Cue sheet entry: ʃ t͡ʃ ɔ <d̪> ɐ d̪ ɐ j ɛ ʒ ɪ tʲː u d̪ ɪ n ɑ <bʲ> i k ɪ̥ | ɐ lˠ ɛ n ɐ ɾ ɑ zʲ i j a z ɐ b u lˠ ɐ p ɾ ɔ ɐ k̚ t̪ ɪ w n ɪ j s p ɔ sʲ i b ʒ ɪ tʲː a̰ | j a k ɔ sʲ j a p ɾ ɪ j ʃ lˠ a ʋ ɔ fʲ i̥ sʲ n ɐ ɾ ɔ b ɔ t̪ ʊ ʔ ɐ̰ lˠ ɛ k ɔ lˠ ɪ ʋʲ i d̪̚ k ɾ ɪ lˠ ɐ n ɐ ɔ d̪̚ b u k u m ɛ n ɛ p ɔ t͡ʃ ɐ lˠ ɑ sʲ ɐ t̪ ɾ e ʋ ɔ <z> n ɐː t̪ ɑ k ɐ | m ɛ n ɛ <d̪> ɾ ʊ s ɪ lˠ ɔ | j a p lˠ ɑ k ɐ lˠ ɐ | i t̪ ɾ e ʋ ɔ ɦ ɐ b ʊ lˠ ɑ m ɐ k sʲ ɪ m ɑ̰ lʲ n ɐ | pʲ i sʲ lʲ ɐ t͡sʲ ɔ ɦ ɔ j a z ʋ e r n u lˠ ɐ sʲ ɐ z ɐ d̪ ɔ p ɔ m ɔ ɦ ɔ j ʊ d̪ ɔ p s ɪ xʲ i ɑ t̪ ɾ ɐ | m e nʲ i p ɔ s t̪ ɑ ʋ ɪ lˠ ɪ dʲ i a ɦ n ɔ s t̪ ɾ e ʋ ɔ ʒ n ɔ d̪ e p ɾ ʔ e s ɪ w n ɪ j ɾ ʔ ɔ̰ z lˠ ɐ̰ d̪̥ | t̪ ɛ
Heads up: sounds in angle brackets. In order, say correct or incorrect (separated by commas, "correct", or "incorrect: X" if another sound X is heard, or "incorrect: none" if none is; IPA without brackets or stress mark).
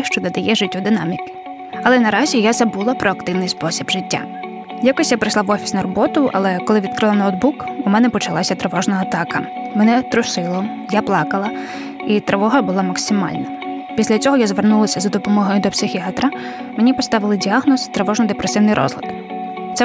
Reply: correct, incorrect: mʲ, incorrect: ʒ, incorrect: t̪